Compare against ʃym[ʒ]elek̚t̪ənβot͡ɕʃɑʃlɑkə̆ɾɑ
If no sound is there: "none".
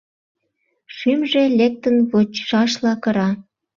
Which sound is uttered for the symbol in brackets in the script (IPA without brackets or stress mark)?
ʒ